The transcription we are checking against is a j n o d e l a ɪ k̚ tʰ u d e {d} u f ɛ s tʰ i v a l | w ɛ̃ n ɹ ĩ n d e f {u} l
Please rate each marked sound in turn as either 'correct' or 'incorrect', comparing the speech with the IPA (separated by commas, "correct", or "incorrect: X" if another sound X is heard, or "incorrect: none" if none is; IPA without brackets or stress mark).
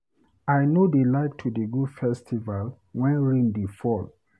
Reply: incorrect: ɡ, incorrect: ɔ